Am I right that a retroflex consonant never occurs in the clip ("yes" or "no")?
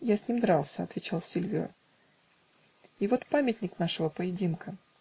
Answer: no